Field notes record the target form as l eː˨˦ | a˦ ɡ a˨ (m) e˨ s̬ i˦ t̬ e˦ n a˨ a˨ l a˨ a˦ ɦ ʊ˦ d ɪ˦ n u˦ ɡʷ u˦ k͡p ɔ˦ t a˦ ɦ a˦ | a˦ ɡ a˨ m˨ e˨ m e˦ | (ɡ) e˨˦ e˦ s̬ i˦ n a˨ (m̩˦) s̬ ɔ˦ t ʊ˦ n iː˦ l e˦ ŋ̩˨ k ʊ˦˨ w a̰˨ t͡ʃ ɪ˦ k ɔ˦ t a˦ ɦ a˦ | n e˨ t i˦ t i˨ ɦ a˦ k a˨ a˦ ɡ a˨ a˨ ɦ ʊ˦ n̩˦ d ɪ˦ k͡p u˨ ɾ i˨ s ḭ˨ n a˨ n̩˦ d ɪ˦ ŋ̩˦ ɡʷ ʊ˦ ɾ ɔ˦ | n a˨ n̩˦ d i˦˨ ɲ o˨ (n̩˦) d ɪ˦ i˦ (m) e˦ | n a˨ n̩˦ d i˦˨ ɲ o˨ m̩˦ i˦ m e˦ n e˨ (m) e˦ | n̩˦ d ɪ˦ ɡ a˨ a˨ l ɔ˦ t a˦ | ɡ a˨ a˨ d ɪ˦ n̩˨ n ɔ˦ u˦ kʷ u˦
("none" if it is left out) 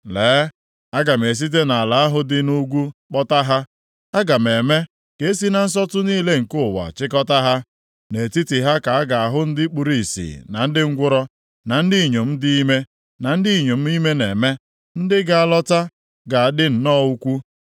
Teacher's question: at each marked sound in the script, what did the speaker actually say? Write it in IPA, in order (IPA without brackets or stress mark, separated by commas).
m, k, n̩˦, m̩˦, m, m